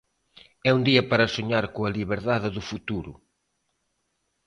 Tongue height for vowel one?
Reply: mid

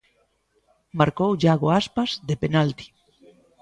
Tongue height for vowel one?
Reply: low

